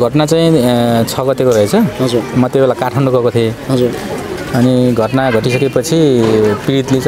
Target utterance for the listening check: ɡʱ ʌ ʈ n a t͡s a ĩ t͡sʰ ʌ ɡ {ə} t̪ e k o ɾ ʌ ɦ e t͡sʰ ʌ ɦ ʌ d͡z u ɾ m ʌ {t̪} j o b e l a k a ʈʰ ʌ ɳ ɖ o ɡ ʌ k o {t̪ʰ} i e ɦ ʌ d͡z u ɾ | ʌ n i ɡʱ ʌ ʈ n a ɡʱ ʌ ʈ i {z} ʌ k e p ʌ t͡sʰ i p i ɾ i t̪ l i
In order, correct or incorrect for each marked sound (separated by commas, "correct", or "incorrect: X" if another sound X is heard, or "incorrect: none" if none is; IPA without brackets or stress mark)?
incorrect: ʌ, correct, correct, incorrect: s